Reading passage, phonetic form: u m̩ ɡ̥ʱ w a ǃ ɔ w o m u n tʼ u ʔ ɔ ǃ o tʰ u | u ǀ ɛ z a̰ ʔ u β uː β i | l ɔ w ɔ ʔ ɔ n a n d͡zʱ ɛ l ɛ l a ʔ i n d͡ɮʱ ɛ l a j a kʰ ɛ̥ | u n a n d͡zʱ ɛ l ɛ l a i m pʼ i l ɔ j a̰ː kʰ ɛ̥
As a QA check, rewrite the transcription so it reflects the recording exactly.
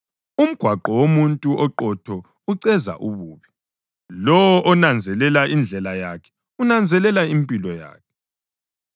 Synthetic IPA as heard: u m̩ ɡ̥ʱ w a ǃ ɔ w o m u n tʼ u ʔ ɔ ǃ ɔ tʰ ɔ | u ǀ ɛ z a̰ ʔ u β uː β i | l ɔ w ɔ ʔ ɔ n a n d͡zʱ ɛ l ɛ l a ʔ i n d͡ɮʱ ɛ l a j a kʰ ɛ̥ | u n a n d͡zʱ ɛ l ɛ l a i m pʼ i l ɔ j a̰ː kʰ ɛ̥